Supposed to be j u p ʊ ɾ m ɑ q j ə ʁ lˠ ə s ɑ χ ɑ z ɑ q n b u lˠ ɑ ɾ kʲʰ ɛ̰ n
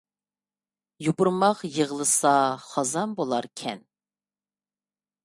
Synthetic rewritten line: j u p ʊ ɾ m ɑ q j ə ʁ lˠ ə s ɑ χ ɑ z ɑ n b o lˠ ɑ ɾ kʲʰ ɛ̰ n